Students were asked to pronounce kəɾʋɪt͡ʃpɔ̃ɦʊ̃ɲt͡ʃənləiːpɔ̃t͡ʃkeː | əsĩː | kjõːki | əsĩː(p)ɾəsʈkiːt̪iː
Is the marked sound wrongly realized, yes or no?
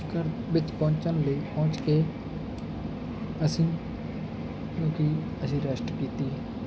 yes